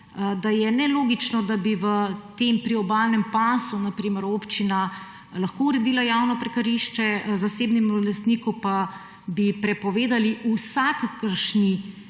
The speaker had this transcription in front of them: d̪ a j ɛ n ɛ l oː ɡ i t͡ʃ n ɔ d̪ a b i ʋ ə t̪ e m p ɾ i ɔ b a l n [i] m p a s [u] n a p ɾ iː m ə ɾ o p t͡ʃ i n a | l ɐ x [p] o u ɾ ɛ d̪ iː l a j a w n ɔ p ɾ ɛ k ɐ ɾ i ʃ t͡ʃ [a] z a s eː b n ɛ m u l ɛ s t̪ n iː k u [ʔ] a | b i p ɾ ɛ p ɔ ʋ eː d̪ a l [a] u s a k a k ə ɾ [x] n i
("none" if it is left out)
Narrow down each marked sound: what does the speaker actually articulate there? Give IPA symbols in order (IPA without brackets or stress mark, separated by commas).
ɛ, u, k, ɛ, p, i, ʃ